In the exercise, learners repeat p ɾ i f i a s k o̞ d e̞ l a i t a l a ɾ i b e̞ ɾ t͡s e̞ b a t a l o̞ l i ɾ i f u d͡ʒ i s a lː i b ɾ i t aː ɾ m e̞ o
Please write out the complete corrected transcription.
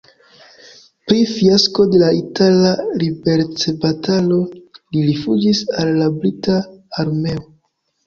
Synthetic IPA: p ɾ i f i a s k o̞ d e̞ l a i t a l a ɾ i b e̞ ɾ t͡s e̞ b a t a l o̞ l i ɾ i f u d͡ʒ i s a lː a b ɾ i t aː ɾ m e̞ o